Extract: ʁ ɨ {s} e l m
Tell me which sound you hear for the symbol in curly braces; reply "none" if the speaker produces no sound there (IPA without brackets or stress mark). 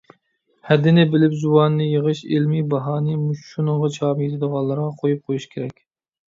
ʃ